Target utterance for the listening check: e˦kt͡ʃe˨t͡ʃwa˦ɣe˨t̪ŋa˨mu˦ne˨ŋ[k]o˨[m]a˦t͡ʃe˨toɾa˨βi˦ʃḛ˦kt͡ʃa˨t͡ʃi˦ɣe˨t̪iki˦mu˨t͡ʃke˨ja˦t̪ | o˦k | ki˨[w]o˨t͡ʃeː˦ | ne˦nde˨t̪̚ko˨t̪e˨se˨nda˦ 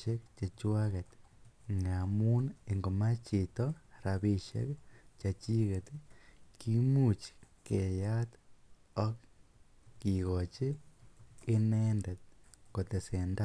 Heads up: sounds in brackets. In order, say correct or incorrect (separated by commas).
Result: incorrect, correct, incorrect